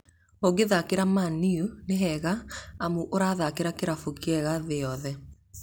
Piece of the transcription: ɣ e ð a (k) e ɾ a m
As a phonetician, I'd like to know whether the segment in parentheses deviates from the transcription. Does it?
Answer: no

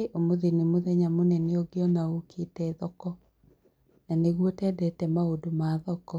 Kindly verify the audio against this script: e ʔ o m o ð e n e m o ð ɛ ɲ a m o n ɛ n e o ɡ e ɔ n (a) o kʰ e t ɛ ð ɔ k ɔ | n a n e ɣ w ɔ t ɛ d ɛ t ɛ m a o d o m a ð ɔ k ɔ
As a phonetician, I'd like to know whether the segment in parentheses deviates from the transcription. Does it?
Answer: no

